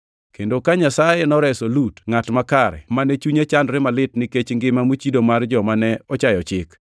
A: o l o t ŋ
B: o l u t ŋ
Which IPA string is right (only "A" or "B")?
B